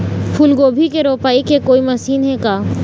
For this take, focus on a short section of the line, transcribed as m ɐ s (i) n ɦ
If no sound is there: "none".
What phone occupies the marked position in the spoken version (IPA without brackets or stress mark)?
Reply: iː